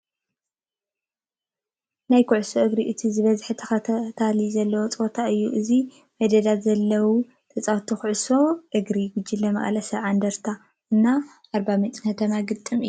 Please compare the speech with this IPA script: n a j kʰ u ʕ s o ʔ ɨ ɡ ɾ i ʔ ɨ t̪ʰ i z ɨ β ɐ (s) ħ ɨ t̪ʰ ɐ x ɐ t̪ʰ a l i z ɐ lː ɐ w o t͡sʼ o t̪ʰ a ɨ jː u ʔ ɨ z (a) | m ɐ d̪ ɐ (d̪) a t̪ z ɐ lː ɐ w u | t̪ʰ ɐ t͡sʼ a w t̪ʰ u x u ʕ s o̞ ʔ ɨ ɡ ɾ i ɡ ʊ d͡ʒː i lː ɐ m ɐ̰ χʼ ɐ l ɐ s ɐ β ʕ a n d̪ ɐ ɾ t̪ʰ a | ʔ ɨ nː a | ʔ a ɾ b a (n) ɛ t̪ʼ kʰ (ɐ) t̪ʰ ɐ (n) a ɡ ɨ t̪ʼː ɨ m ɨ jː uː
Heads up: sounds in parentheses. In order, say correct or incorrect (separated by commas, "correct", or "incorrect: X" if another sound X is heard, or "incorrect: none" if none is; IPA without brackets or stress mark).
incorrect: z, incorrect: i, correct, incorrect: m, correct, incorrect: m